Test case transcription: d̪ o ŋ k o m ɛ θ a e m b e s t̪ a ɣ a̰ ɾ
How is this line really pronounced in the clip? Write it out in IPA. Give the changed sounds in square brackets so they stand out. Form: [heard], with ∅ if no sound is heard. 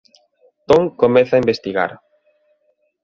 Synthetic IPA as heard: [t̪] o ŋ k o m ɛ θ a [i] m b e s t̪ [i] ɣ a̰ ɾ